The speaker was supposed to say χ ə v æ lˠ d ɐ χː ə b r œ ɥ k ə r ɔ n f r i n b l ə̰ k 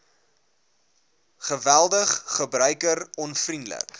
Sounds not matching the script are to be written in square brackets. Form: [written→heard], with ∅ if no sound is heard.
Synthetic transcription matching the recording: χ ə v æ lˠ d [ɐ→ə] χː ə b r œ ɥ k ə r ɔ n f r i n [b→d] l ə̰ k